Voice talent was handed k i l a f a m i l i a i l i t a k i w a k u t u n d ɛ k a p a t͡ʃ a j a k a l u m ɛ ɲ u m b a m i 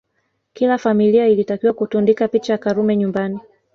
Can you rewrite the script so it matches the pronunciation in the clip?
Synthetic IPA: k i l a f a m i l i a i l i t a k i w a k u t u n d i k a p i t͡ʃ a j a k a ɾ u m ɛ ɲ u m b a n i